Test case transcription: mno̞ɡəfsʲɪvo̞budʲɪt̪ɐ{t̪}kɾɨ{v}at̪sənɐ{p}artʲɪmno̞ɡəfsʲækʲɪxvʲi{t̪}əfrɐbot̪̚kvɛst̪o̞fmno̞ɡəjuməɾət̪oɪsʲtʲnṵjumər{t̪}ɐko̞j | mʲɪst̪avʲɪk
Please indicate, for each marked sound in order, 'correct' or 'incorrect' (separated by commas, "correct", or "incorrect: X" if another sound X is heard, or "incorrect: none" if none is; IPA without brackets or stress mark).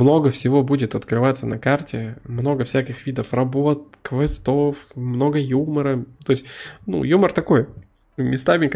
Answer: correct, correct, incorrect: k, incorrect: d̪, correct